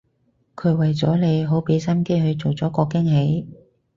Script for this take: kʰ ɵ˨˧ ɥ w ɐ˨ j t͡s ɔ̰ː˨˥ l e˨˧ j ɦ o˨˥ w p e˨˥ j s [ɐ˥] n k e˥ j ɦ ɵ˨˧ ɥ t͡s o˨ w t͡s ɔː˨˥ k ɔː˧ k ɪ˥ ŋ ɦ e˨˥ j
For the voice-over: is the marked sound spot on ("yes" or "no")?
yes